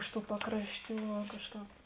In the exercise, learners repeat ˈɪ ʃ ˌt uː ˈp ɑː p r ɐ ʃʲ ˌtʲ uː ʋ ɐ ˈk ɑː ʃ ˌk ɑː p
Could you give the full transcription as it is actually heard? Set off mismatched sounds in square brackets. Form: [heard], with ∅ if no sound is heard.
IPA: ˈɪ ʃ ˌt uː ˈp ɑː [k] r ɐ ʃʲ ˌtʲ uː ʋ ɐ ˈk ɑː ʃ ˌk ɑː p